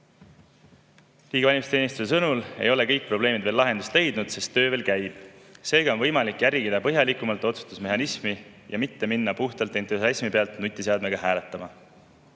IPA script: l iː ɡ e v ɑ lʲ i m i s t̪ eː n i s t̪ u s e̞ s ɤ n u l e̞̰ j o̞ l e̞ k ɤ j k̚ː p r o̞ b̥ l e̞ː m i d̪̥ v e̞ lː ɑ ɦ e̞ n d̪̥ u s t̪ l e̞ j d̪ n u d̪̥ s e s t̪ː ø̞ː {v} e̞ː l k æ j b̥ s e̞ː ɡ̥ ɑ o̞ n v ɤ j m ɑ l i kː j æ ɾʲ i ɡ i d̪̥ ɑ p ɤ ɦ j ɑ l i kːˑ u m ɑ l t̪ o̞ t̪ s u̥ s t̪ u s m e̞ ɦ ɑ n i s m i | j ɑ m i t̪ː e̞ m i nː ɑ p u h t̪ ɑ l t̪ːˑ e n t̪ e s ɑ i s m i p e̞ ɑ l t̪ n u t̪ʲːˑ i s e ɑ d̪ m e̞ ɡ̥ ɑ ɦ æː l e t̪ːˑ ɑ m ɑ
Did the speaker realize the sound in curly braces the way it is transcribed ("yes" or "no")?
yes